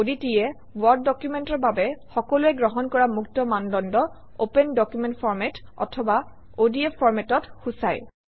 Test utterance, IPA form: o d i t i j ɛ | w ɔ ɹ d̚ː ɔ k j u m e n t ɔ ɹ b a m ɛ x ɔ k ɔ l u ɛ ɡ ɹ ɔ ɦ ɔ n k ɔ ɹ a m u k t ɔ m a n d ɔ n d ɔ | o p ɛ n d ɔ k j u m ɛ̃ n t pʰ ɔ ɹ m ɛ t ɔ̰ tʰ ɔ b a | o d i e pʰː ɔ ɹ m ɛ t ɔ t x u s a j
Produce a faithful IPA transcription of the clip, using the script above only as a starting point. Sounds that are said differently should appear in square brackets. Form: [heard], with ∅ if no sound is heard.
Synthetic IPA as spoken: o d i t i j ɛ | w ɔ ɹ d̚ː ɔ k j u m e n t ɔ ɹ b a [b] ɛ x ɔ k ɔ l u ɛ ɡ ɹ ɔ ɦ ɔ n k ɔ ɹ a m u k t ɔ m a n d ɔ n d ɔ | o p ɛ n d ɔ k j u m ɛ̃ n t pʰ ɔ ɹ m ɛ t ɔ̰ tʰ ɔ b a | o d i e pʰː ɔ ɹ m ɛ t ɔ t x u s a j